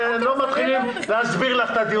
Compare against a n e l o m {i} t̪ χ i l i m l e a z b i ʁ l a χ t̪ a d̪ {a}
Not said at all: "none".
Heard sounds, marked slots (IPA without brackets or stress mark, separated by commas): a, i